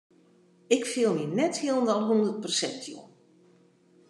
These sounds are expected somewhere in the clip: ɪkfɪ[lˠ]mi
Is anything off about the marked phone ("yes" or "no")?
no